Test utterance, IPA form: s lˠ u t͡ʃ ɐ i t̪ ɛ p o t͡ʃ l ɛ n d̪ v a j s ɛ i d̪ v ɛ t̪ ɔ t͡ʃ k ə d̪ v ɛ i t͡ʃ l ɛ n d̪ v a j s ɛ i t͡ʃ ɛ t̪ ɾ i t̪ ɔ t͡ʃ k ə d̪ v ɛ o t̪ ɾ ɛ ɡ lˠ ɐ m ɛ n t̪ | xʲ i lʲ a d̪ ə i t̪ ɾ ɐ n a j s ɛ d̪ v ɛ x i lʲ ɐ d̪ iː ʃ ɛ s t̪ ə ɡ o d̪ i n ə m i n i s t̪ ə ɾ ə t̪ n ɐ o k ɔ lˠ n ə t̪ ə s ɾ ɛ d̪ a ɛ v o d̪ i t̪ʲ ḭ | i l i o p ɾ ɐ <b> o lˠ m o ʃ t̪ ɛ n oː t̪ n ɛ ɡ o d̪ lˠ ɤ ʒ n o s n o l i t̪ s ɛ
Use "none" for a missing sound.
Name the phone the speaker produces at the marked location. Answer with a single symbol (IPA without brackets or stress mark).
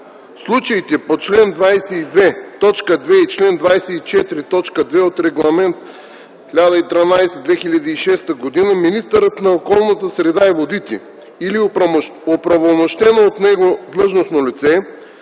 v